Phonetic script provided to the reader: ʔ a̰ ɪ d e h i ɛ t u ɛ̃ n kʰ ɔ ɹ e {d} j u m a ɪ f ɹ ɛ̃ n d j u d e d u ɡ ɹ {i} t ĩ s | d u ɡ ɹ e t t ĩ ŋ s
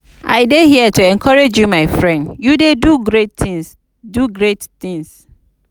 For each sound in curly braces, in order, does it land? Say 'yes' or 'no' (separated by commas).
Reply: no, no